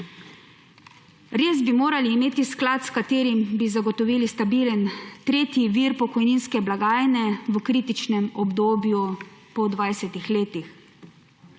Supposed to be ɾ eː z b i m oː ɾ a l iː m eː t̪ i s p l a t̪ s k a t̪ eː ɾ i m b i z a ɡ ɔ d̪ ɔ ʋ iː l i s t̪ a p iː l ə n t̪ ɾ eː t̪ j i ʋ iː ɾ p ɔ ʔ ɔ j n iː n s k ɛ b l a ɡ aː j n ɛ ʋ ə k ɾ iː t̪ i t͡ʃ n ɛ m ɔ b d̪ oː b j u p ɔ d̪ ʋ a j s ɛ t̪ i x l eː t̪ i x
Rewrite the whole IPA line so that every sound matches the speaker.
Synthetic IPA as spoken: ɾ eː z b i m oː ɾ a l iː m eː t̪ i s k l a t̪ s k a t̪ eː ɾ i m b i z a ɡ ɔ t̪ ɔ ʋ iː l i s t̪ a b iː l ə n t̪ ɾ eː t̪ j i ʋ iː ɾ p ɔ k ɔ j n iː n s k ɛ b l a ɡ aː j n ɛ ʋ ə k ɾ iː t̪ i t͡ʃ n ɛ m ɔ b d̪ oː b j u p ɔ d̪ ʋ a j s ɛ t̪ i x l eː t̪ i x